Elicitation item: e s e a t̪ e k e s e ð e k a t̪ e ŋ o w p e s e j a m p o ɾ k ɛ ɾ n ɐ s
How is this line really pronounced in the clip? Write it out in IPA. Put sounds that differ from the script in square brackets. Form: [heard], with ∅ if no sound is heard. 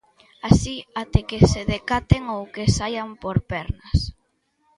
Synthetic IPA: [a] s [i] a t̪ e k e s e ð e k a t̪ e ŋ o w [k] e s [a] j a m p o ɾ [p] ɛ ɾ n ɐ s